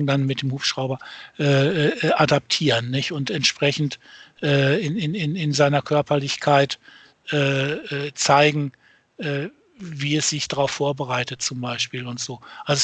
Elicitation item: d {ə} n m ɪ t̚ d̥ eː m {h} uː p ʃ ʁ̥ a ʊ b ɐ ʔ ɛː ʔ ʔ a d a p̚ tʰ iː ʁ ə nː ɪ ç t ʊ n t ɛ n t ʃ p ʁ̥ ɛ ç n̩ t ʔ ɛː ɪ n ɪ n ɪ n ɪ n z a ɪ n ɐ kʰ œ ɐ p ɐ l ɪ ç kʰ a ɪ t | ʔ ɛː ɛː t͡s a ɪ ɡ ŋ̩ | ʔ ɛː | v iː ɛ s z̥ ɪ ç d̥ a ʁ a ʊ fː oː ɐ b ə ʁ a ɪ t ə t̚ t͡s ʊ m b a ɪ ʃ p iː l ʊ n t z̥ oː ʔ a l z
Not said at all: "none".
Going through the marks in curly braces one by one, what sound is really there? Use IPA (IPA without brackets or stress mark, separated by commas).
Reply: a, h